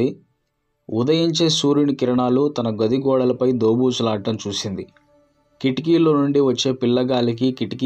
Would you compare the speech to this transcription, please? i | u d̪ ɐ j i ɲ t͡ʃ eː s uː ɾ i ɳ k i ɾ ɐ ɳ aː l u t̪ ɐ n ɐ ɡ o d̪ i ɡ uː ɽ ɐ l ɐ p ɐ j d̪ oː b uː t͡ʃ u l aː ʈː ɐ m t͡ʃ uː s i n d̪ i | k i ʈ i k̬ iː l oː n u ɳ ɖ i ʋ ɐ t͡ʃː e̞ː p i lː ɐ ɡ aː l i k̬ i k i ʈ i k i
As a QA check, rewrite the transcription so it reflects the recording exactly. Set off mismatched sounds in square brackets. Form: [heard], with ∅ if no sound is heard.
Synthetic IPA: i | u d̪ ɐ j i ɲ t͡ʃ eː s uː ɾ i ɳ k i ɾ ɐ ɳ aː l u t̪ ɐ n ɐ ɡ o d̪ i ɡ [ɔː] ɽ ɐ l ɐ p ɐ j d̪ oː b uː t͡ʃ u l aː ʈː ɐ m t͡ʃ uː s i n d̪ i | k i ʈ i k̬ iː l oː n u ɳ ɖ i ʋ ɐ t͡ʃː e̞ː p i lː ɐ ɡ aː l i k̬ i k i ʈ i k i